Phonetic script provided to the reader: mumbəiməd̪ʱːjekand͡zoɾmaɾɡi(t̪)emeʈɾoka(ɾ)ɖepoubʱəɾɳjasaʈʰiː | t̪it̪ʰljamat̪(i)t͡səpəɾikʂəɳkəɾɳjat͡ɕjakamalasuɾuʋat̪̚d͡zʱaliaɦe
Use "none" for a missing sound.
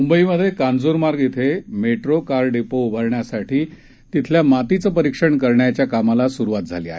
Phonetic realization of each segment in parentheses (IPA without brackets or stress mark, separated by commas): t̪ʰ, ɾ, i